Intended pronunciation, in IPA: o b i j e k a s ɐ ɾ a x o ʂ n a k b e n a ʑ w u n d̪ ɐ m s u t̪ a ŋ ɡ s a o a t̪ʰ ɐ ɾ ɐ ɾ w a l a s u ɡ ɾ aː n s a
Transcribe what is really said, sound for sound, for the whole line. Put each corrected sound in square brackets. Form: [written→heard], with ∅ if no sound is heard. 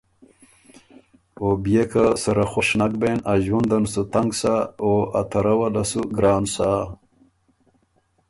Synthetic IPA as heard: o b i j e k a s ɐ ɾ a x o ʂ n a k b e n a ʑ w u n d̪ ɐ [m→n] s u t̪ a ŋ ɡ s a o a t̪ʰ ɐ ɾ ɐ [ɾ→∅] w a l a s u ɡ ɾ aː n s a